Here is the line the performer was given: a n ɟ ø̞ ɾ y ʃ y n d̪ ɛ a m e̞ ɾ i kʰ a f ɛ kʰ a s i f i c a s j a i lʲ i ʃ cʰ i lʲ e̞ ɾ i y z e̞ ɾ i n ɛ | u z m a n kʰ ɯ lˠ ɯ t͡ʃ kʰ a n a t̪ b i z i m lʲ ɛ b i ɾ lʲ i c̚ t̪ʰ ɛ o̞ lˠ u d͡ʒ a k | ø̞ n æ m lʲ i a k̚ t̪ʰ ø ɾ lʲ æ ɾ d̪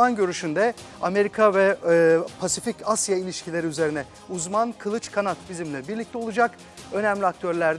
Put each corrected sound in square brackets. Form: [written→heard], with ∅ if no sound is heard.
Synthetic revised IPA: a n ɟ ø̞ ɾ y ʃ y n d̪ ɛ a m e̞ ɾ i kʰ a [f→v] ɛ [kʰ→pʰ] a s i f i c a s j a i lʲ i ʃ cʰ i lʲ e̞ ɾ i y z e̞ ɾ i n ɛ | u z m a n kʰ ɯ lˠ ɯ t͡ʃ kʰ a n a t̪ b i z i m lʲ ɛ b i ɾ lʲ i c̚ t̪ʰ ɛ o̞ lˠ u d͡ʒ a k | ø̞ n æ m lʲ i a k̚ t̪ʰ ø ɾ lʲ æ ɾ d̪

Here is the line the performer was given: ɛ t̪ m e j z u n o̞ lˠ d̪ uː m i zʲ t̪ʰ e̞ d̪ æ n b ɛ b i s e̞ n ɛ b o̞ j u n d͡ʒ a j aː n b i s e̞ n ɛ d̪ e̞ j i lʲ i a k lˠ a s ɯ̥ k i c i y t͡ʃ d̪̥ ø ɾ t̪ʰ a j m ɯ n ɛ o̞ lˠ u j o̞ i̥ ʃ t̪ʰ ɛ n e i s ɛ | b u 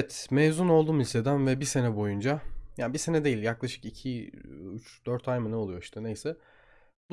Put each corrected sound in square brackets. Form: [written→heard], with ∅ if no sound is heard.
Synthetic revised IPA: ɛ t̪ m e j z u n o̞ lˠ d̪ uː m i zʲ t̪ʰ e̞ d̪ æ n [b→v] ɛ b i s e̞ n ɛ b o̞ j u n d͡ʒ a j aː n b i s e̞ n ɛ d̪ e̞ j i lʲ [i→j] a k lˠ a [s→ʃ] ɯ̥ k i [c→cʰ] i y t͡ʃ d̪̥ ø ɾ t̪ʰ a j m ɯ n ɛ o̞ lˠ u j o̞ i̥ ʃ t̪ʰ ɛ n e [i→j] s ɛ | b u

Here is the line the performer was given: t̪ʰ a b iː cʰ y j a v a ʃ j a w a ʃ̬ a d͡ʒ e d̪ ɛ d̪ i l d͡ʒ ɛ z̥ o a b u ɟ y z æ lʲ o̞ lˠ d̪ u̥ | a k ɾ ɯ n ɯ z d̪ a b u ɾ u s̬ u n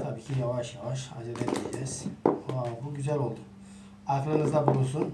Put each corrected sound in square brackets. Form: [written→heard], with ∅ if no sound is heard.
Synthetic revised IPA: t̪ʰ a b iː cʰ [y→i] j a v a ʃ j a [w→v] a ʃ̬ a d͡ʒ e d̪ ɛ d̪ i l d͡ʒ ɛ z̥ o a b u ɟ y z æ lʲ o̞ lˠ d̪ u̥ | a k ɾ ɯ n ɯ z d̪ a b u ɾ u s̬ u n

